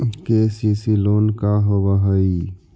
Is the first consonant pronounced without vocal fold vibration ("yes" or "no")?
yes